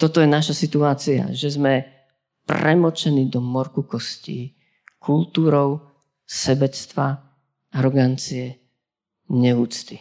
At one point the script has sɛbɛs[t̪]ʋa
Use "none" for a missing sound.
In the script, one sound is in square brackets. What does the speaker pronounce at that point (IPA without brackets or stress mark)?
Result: t̪